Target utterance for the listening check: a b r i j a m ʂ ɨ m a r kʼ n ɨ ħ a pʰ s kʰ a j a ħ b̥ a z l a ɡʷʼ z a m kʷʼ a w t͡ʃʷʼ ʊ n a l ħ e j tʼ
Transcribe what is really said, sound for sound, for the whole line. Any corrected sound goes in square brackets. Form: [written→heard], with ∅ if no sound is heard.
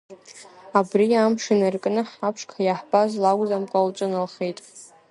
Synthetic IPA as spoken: a b r i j a m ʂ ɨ [m→n] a r kʼ n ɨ ħ a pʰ [s→ʂ] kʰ a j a ħ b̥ a z l a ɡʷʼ z a m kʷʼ a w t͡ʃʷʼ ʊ n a l [ħ→χ] e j tʼ